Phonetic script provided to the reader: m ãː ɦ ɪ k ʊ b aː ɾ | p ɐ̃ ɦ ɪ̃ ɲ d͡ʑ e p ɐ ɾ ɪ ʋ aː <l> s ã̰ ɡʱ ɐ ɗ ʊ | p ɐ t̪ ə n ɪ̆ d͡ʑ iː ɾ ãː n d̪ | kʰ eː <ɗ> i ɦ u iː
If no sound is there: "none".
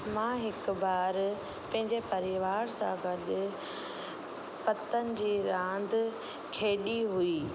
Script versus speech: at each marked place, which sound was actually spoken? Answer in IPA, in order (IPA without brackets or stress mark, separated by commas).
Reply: ɾ, ɗ